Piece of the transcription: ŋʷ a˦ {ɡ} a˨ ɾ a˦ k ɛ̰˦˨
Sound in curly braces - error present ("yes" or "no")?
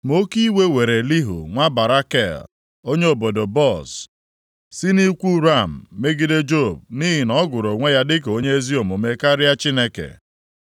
yes